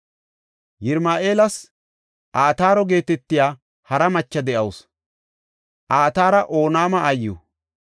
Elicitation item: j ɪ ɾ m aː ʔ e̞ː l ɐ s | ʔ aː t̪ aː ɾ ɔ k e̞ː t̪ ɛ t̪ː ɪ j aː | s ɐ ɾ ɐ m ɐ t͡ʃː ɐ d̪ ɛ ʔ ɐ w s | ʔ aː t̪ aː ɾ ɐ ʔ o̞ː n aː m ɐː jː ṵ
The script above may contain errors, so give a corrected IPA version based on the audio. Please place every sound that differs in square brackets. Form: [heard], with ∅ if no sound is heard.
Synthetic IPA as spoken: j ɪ ɾ m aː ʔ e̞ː l ɐ s | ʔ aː t̪ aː ɾ ɔ [ɡ] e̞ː t̪ ɛ t̪ː ɪ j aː | [h] ɐ ɾ ɐ m ɐ t͡ʃː ɐ d̪ ɛ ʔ ɐ w s | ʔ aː t̪ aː ɾ ɐ ʔ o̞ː n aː m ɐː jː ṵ

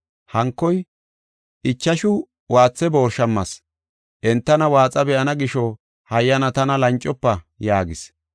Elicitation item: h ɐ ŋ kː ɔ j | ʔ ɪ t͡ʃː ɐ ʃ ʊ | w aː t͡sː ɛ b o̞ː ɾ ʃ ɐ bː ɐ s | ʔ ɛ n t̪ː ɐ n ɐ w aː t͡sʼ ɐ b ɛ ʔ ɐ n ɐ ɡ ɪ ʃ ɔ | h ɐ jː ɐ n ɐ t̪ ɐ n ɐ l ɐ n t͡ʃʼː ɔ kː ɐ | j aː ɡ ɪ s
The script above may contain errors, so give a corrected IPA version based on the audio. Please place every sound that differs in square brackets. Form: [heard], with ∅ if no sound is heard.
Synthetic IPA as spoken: h ɐ ŋ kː ɔ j | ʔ ɪ t͡ʃː ɐ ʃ ʊ | w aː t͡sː ɛ b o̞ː ɾ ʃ ɐ [mː] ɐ s | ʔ ɛ n t̪ː ɐ n ɐ w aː t͡sʼ ɐ b ɛ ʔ ɐ n ɐ ɡ ɪ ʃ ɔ | h ɐ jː ɐ n ɐ t̪ ɐ n ɐ l ɐ n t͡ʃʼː ɔ [pː] ɐ | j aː ɡ ɪ s

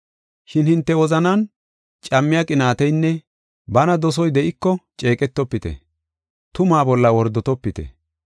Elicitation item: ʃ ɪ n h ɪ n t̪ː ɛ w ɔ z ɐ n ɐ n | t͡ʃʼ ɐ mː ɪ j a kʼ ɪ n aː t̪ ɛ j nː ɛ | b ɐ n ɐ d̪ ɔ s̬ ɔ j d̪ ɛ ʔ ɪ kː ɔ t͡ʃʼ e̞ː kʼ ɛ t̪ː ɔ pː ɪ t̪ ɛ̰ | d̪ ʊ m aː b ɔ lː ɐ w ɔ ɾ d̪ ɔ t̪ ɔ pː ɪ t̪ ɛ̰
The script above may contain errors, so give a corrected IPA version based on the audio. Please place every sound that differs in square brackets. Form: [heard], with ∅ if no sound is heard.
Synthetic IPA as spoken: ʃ ɪ n h ɪ n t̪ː ɛ w ɔ z ɐ n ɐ n | t͡ʃʼ ɐ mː ɪ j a kʼ ɪ n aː t̪ ɛ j nː ɛ | b ɐ n ɐ d̪ ɔ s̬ ɔ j d̪ ɛ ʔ ɪ kː ɔ t͡ʃʼ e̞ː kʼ ɛ t̪ː ɔ pː ɪ t̪ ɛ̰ | [t̪] ʊ m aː b ɔ lː ɐ w ɔ ɾ d̪ ɔ t̪ ɔ pː ɪ t̪ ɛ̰

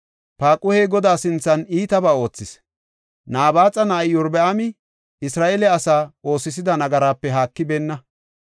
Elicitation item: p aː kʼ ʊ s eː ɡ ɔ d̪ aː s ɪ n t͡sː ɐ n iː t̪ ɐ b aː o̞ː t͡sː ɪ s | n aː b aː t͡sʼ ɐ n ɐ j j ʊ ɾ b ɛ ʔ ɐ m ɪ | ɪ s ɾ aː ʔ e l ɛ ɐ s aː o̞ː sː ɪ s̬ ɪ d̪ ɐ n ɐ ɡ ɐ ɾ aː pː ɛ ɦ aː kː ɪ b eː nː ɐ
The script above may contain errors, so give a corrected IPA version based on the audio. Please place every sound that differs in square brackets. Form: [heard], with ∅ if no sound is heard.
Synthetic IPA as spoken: p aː kʼ ʊ [h] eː ɡ ɔ d̪ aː s ɪ n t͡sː ɐ n iː t̪ ɐ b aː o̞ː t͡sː ɪ s | n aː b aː t͡sʼ ɐ n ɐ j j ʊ ɾ b ɛ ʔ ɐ m ɪ | ɪ s ɾ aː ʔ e l ɛ ɐ s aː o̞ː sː ɪ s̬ ɪ d̪ ɐ n ɐ ɡ ɐ ɾ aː pː ɛ ɦ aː kː ɪ b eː nː ɐ

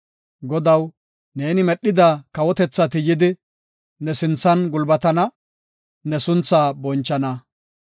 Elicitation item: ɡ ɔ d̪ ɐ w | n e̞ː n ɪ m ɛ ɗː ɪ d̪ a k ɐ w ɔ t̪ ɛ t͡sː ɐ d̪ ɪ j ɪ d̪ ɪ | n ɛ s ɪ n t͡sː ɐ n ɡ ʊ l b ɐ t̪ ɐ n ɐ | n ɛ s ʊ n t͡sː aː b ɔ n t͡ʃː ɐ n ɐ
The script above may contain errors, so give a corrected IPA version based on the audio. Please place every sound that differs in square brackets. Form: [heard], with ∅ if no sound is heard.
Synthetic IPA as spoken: ɡ ɔ d̪ ɐ w | n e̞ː n ɪ m ɛ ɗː ɪ d̪ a k ɐ w ɔ t̪ ɛ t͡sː ɐ [t̪] ɪ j ɪ d̪ ɪ | n ɛ s ɪ n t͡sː ɐ n ɡ ʊ l b ɐ t̪ ɐ n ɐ | n ɛ s ʊ n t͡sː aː b ɔ n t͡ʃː ɐ n ɐ

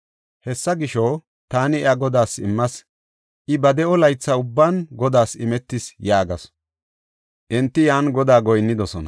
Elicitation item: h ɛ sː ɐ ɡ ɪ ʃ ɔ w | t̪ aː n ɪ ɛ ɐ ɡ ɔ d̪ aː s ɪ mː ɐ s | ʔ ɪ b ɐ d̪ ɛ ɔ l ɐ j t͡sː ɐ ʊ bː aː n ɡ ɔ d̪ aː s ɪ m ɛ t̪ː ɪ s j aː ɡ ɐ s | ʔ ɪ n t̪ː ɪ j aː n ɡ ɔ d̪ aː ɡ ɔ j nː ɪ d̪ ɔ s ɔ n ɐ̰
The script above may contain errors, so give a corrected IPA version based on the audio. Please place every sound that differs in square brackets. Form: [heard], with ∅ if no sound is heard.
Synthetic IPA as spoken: h ɛ sː ɐ ɡ ɪ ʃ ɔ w | t̪ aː n ɪ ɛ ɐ ɡ ɔ d̪ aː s ɪ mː ɐ s | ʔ ɪ b ɐ d̪ ɛ ɔ l ɐ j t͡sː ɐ ʊ bː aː n ɡ ɔ d̪ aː s ɪ m ɛ t̪ː ɪ s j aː ɡ ɐ s | ʔ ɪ n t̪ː ɪ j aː n ɡ ɔ d̪ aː ɡ ɔ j nː ɪ d̪ ɔ s ɔ n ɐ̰

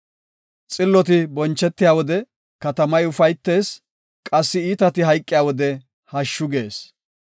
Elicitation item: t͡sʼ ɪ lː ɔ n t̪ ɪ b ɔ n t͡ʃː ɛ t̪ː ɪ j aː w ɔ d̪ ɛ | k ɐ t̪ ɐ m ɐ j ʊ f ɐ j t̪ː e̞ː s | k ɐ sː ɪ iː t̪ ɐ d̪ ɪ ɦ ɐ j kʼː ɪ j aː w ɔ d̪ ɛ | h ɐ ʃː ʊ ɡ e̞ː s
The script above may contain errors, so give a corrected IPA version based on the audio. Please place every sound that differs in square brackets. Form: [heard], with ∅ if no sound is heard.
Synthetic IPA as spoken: t͡sʼ ɪ lː ɔ [∅] t̪ ɪ b ɔ n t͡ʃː ɛ t̪ː ɪ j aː w ɔ d̪ ɛ | k ɐ t̪ ɐ m ɐ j ʊ f ɐ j t̪ː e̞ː s | [kʼ] ɐ sː ɪ iː t̪ ɐ [t̪] ɪ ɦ ɐ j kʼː ɪ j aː w ɔ d̪ ɛ | h ɐ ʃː ʊ ɡ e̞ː s

